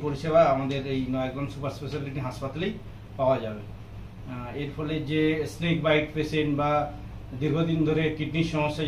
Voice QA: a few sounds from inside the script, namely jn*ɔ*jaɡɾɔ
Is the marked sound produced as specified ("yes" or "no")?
yes